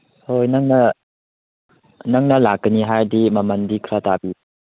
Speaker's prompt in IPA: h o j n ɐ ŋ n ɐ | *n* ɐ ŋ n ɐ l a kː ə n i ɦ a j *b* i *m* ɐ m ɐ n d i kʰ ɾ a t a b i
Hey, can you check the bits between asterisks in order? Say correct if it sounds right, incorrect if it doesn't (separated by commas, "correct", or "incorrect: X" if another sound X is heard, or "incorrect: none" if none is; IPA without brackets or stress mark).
correct, incorrect: d, correct